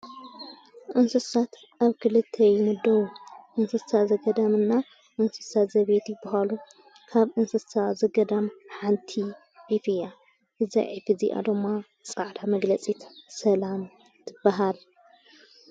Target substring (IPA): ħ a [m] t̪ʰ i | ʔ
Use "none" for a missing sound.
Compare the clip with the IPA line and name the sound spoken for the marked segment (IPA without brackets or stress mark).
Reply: n